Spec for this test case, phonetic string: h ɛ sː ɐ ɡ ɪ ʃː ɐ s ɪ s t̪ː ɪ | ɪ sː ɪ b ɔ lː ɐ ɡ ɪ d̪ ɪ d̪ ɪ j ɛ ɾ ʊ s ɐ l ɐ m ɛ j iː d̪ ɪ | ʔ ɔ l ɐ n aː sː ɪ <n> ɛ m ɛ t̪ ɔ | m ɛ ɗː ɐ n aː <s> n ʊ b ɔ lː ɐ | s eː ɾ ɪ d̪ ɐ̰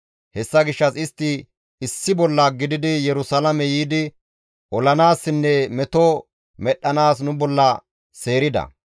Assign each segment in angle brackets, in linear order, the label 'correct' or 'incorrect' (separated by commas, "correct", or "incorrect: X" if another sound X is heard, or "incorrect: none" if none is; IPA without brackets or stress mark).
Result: incorrect: nː, correct